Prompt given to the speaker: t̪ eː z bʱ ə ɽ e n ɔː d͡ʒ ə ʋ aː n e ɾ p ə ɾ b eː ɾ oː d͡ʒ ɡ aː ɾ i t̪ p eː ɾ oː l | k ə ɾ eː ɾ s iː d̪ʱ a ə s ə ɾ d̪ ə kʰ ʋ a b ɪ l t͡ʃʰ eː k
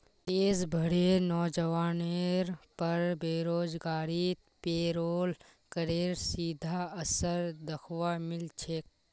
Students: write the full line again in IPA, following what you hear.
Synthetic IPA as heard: t̪ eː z bʱ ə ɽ e n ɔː d͡ʒ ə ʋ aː n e ɾ p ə ɾ b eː ɾ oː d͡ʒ ɡ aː ɾ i t̪ p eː ɾ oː l | k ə ɾ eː ɾ s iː d̪ʱ a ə s ə ɾ d̪ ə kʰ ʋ a m ɪ l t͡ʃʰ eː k